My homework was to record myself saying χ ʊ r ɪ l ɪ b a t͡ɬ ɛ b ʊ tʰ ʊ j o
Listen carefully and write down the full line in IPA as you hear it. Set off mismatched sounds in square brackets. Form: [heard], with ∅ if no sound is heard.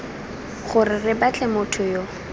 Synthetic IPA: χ ʊ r ɪ [r] ɪ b a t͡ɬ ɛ [m] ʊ tʰ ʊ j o

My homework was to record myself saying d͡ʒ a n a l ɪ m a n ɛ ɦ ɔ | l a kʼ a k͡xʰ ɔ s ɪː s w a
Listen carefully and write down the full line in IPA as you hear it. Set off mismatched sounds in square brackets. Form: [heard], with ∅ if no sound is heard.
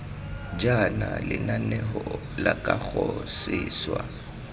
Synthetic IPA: d͡ʒ a n a l ɪ [n] a n ɛ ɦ ɔ | l a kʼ a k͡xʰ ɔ s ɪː s w a

